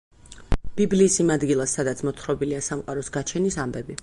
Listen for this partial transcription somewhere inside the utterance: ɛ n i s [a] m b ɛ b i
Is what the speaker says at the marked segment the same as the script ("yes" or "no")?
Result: yes